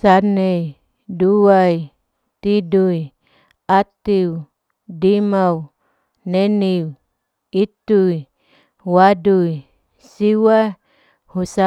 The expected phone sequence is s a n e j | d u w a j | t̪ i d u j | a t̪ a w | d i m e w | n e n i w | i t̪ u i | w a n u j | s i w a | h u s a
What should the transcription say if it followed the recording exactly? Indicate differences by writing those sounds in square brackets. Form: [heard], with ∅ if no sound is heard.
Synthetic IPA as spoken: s a n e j | d u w a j | t̪ i d u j | a t̪ [i] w | d i m [a] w | n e n i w | i t̪ u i | w a [d] u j | s i w a | h u s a

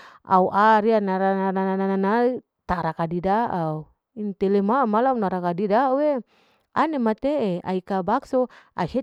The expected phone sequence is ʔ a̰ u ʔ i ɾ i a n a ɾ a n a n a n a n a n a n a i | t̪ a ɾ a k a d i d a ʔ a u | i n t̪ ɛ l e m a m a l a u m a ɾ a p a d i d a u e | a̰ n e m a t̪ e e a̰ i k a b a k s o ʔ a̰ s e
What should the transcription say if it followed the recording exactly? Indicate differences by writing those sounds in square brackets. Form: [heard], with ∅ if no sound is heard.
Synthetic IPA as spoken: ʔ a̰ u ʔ [a] ɾ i a n a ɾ a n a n a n a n a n a n a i | t̪ a ɾ a k a d i d a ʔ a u | i n t̪ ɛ l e m a m a l a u [n] a ɾ a [k] a d i d a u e | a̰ n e m a t̪ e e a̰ i k a b a k s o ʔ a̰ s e

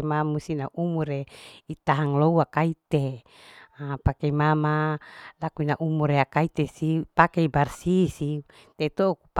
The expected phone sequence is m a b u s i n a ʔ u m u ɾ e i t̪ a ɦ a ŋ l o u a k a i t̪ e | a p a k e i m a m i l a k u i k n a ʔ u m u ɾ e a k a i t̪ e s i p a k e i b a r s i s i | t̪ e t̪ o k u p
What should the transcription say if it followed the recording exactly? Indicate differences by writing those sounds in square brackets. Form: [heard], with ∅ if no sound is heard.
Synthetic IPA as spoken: m a [m] u s i n a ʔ u m u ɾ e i t̪ a ɦ a ŋ l o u a k a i t̪ e | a p a k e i m a m [a] l a k u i [∅] n a ʔ u m u ɾ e a k a i t̪ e s i p a k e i b a r s i s i | t̪ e t̪ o k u p

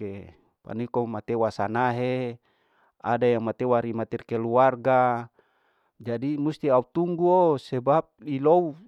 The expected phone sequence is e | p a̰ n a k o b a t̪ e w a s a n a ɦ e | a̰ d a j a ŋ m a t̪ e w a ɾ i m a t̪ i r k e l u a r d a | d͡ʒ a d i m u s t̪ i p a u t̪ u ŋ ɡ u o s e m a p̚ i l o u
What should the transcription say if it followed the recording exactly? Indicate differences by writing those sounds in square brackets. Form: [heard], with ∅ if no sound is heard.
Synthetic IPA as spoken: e | p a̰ n [i] k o [m] a t̪ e w a s a n a ɦ e | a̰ d a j a ŋ m a t̪ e w a ɾ i m a t̪ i r k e l u a r [ɡ] a | d͡ʒ a d i m u s t̪ i [∅] a u t̪ u ŋ ɡ u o s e [b] a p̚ i l o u

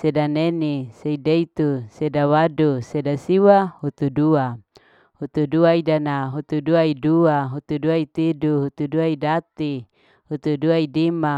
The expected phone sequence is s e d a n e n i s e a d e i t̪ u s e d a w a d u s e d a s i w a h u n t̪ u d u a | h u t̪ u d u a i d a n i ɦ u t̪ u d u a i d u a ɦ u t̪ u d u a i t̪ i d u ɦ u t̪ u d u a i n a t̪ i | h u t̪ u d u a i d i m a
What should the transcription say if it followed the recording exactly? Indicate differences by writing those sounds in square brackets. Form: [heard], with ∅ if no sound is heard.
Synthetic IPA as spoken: s e d a n e n i s e [i] d e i t̪ u s e d a w a d u s e d a s i w a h u [∅] t̪ u d u a | h u t̪ u d u a i d a n [a] ɦ u t̪ u d u a i d u a ɦ u t̪ u d u a i t̪ i d u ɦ u t̪ u d u a i [d] a t̪ i | h u t̪ u d u a i d i m a

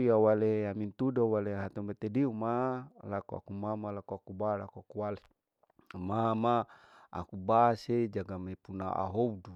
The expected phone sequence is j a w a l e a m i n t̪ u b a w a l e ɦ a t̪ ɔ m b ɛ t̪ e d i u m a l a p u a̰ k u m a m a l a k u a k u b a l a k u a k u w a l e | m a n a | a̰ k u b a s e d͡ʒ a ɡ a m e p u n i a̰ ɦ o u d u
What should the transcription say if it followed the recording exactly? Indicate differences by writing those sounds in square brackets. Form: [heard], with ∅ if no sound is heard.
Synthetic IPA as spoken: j a w a l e a m i n t̪ u [d] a w a l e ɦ a t̪ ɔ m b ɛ t̪ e d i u m a l a [k] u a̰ k u m a m a l a k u a k u b a l a k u a k u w a l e | m a [m] a | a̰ k u b a s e d͡ʒ a ɡ a m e p u n [a] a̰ ɦ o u d u

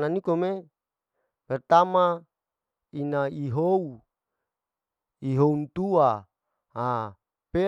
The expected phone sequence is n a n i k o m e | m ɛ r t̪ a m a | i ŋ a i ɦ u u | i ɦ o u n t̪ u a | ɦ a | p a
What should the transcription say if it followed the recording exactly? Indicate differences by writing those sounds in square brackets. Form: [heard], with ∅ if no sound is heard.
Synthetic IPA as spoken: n a n i k o m e | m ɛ r t̪ a m a | i [n] a i ɦ [o] u | i ɦ o u n t̪ u a | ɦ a | p [e]

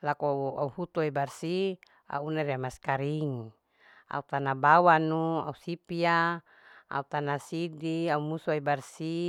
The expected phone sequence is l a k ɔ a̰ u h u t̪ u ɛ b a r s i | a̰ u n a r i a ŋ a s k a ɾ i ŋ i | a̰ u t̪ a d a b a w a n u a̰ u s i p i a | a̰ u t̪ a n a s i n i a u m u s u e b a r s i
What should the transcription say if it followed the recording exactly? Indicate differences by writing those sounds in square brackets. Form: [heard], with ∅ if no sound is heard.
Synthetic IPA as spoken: l a k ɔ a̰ u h u t̪ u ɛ b a r s i | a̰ u n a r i a [m] a s k a ɾ i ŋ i | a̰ u t̪ a [n] a b a w a n u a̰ u s i p i a | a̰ u t̪ a n a s i [d] i a u m u s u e b a r s i

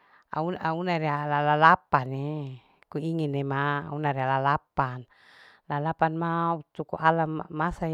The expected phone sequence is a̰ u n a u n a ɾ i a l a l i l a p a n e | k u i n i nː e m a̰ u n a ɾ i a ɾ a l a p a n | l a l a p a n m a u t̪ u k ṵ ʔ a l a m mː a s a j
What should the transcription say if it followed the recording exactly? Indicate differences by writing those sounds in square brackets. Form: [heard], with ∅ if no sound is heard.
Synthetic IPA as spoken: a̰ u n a u n a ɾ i a l a l [a] l a p a n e | k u i [ŋ] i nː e m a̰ u n a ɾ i a [l] a l a p a n | l a l a p a n m a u t̪ u k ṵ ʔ a l a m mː a s a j

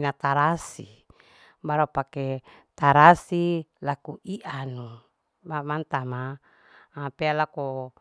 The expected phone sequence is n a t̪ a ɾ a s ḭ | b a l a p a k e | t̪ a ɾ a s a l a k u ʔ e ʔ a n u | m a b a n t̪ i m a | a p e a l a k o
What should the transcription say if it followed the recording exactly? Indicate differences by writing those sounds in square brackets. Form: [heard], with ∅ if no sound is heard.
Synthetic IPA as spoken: n a t̪ a ɾ a s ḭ | b a [ɾ] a p a k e | t̪ a ɾ a s [i] l a k u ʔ [i] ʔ a n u | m a [m] a n t̪ [a] m a | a p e a l a k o

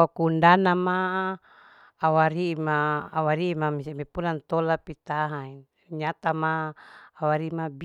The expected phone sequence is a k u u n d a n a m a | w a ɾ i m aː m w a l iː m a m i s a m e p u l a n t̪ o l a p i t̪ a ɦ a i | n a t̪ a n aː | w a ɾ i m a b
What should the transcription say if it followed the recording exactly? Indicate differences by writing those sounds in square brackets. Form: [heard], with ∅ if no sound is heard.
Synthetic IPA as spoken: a k u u n d a n a m a | w a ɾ i m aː [∅] w a [ɾ] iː m a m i s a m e p u l a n t̪ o l a p i t̪ a ɦ a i | [ɲ] a t̪ a [m] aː | w a ɾ i m a b

